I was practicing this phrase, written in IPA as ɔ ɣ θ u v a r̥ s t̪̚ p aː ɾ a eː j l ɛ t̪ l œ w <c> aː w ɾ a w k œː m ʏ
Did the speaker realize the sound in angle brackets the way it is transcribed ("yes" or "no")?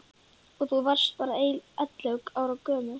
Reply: no